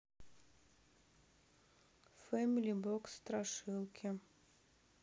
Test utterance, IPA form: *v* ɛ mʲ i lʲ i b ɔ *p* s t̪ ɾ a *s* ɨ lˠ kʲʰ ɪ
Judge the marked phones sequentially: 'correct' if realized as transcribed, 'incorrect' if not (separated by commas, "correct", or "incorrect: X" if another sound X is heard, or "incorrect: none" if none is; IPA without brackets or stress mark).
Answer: incorrect: f, incorrect: k, incorrect: ʂ